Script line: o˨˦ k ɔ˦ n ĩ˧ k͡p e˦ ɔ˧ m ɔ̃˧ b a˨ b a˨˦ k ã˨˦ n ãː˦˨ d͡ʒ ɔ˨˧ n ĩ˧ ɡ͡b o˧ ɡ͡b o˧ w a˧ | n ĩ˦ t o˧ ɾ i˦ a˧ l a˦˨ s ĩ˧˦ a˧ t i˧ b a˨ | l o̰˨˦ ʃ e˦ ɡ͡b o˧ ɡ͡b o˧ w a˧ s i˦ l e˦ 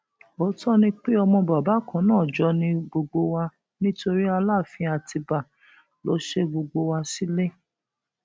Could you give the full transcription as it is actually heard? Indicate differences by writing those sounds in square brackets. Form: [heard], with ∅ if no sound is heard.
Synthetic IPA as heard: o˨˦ [t] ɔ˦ n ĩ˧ k͡p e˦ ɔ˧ m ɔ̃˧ b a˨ b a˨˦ k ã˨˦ n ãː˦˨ d͡ʒ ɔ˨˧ n ĩ˧ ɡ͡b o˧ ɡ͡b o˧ w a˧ | n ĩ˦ t o˧ ɾ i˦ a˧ l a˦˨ [f] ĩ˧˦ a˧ t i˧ b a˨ | l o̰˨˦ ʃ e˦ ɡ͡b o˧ ɡ͡b o˧ w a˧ s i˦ l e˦